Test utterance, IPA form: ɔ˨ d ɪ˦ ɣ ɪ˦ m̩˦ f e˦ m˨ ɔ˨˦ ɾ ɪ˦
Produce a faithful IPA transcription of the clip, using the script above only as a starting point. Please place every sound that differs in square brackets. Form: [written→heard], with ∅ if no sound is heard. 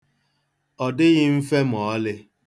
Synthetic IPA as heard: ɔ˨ d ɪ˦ ɣ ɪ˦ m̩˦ f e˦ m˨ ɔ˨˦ [ɾ→l] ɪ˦